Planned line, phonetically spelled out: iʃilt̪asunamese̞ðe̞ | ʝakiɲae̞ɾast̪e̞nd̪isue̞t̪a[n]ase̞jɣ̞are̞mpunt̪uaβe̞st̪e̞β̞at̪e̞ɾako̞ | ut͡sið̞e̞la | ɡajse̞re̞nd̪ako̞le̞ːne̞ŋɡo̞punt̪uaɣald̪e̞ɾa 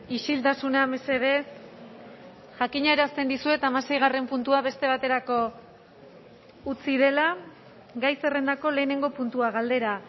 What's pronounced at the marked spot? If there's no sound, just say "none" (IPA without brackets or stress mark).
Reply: m